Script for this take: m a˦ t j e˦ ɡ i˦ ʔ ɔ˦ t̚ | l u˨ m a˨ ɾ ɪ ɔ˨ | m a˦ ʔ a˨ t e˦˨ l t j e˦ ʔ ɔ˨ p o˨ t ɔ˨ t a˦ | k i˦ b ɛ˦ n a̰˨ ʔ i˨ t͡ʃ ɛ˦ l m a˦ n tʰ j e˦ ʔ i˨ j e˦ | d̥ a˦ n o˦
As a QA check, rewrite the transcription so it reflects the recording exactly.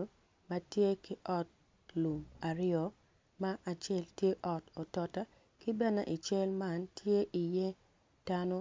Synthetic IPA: m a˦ t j e˦ k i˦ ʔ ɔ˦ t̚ | l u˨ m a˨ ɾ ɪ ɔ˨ | m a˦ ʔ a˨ t͡ʃ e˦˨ l t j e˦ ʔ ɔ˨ t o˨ t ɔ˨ t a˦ | k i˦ b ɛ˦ n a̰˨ ʔ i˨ t͡ʃ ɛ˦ l m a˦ n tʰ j e˦ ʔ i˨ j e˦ | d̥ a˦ n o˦